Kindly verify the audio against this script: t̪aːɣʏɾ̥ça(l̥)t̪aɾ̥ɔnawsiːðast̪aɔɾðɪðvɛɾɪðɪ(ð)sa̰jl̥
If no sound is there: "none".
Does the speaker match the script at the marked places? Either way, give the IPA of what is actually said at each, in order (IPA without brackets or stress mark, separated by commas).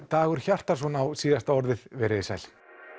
r̥, none